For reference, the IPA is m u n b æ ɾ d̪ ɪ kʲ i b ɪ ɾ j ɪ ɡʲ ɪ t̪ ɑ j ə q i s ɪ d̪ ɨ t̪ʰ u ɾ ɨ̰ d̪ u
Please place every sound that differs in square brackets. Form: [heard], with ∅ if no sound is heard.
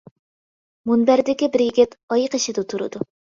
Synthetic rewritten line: m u n b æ ɾ d̪ ɪ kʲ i b ɪ ɾ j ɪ ɡʲ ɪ t̪ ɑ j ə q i [ʃ] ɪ d̪ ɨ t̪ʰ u ɾ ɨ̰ d̪ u